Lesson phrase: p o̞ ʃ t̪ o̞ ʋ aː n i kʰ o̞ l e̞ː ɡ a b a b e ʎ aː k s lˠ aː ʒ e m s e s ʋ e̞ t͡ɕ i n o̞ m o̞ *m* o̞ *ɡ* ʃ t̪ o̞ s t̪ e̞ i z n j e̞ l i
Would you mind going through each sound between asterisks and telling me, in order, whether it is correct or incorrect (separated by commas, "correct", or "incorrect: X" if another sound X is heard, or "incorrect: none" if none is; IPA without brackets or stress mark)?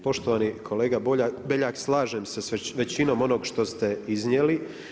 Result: incorrect: n, correct